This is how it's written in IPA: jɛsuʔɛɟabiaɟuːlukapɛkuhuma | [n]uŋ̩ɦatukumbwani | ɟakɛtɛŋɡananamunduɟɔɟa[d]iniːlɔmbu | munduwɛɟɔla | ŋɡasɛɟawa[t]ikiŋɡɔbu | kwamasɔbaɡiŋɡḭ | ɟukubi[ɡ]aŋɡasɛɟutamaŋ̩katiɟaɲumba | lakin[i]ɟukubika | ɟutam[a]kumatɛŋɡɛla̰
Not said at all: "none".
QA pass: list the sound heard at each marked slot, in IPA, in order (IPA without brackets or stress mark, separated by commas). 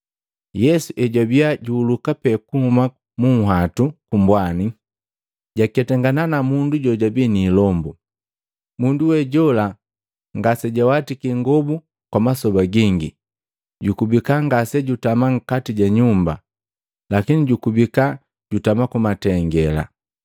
m, b, t, k, i, a